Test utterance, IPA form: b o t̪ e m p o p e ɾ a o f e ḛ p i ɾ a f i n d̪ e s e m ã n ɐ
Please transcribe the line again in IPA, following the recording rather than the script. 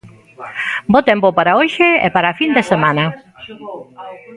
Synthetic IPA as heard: b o t̪ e m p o p a ɾ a o ʃ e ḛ p a ɾ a f i n d̪ e s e m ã n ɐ

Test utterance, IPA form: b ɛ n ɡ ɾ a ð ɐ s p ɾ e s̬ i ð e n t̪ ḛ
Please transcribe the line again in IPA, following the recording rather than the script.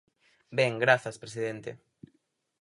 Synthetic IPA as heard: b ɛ ŋ ɡ ɾ a θ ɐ s p ɾ e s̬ i ð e n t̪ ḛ

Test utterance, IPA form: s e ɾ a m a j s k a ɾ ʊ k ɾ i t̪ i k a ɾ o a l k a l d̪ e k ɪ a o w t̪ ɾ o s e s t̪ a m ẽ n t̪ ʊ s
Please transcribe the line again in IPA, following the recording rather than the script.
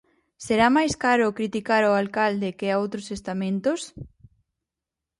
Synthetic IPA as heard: s e ɾ a m a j s k a ɾ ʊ k ɾ i t̪ i k a ɾ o a l k a l d̪ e k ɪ a o w t̪ ɾ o s e s t̪ a m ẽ n t̪ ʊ s

